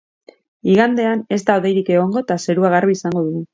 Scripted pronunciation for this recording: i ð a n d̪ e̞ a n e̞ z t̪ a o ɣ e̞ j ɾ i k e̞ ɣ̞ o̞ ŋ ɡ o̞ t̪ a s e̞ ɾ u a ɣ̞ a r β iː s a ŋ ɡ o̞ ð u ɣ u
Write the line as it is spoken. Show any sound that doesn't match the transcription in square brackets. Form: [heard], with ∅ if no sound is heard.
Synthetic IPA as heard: i [ɣ] a n d̪ e̞ a n e̞ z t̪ a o [ð] e̞ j ɾ i k e̞ ɣ̞ o̞ ŋ ɡ o̞ t̪ a s e̞ ɾ u a ɣ̞ a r β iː s a ŋ ɡ o̞ ð u ɣ u